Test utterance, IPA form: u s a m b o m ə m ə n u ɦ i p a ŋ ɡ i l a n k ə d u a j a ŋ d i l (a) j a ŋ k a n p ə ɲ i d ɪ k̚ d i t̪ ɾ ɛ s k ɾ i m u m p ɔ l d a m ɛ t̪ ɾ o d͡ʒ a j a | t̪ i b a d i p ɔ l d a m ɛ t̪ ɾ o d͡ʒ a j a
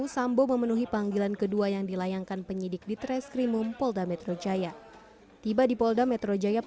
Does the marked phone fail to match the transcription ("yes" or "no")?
no